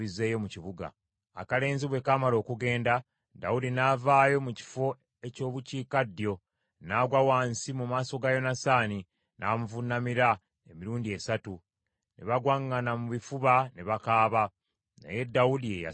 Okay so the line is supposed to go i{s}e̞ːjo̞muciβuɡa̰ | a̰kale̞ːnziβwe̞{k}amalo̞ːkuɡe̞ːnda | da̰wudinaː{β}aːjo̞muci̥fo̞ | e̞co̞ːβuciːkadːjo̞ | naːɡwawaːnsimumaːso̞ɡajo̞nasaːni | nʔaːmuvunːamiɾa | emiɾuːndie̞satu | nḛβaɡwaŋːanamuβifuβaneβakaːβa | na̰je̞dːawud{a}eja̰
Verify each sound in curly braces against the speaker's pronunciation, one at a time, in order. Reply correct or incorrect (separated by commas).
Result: incorrect, correct, incorrect, incorrect